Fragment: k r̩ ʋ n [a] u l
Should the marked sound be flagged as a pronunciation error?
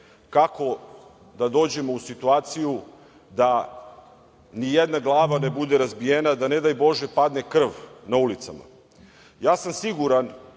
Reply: no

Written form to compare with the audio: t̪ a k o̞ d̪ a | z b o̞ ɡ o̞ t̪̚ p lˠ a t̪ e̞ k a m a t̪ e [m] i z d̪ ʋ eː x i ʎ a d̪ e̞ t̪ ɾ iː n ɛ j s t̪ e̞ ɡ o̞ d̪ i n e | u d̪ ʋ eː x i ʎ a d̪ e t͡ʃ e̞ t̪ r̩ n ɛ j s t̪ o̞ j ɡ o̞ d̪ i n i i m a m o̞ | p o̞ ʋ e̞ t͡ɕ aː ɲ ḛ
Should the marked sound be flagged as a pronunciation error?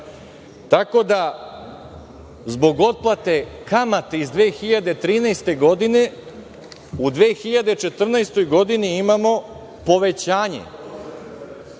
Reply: yes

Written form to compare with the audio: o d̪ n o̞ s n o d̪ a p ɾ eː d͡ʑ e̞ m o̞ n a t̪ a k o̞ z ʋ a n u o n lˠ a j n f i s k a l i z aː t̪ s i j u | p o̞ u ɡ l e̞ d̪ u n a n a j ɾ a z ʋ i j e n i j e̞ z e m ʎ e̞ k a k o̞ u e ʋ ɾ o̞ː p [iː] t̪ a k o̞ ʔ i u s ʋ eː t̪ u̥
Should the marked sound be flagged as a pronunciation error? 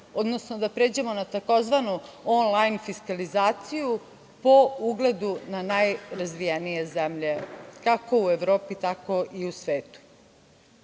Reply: yes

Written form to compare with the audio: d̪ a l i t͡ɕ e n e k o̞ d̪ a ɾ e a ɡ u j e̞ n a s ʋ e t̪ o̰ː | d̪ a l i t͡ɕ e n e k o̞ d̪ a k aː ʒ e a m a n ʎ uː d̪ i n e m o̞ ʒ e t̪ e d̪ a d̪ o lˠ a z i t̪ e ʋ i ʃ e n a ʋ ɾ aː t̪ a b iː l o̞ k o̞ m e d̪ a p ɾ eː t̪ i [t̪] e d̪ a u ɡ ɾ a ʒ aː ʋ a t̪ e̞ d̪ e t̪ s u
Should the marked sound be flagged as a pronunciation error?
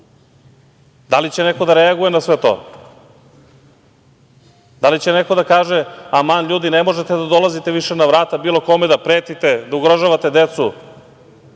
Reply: no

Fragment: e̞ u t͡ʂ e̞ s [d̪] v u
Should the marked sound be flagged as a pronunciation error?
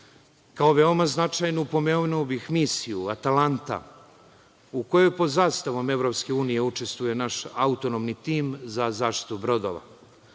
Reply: yes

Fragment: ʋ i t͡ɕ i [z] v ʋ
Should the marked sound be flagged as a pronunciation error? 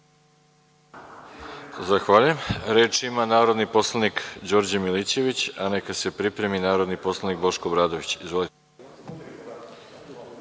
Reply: no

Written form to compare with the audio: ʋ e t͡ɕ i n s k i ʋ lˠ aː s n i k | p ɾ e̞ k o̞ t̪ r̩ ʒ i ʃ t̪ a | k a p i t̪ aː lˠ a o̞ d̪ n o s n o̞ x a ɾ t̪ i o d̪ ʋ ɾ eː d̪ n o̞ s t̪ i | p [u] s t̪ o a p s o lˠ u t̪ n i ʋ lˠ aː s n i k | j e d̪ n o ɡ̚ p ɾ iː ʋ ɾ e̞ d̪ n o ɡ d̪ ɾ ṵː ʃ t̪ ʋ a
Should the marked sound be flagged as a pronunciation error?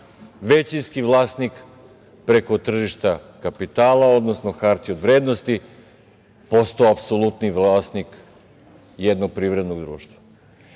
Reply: yes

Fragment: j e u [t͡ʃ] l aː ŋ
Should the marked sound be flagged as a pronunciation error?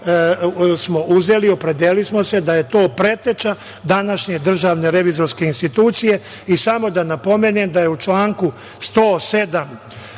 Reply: no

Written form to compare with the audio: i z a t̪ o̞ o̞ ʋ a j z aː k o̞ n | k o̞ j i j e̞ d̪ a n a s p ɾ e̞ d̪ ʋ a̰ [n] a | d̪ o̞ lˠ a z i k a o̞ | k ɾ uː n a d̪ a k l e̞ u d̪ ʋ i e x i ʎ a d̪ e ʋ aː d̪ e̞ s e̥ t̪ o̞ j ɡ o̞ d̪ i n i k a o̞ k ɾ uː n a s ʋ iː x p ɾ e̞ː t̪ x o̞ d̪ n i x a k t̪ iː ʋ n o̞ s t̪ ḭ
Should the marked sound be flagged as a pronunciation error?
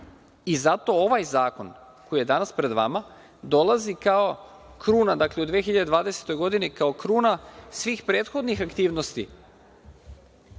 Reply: yes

